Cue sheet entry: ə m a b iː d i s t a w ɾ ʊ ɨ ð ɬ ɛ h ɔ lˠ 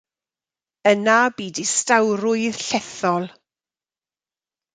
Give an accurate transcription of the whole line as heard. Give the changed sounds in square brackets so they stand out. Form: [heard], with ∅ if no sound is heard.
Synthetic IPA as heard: ə [n] a b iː d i s t a w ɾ ʊ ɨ ð ɬ ɛ [θ] ɔ lˠ